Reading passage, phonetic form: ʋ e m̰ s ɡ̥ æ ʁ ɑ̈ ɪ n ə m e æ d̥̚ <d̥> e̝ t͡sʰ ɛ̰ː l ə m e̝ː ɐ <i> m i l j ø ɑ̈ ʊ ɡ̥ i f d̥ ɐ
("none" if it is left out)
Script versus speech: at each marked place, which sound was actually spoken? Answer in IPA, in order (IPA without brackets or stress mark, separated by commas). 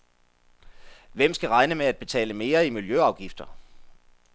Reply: b̥, i